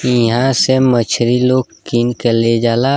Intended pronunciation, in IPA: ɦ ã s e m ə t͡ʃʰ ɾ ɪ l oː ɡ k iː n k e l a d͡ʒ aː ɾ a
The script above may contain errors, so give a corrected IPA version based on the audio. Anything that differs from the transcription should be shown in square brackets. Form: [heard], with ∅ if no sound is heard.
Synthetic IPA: ɦ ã s e m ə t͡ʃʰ ɾ [i] l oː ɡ k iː n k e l [e] d͡ʒ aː [l] a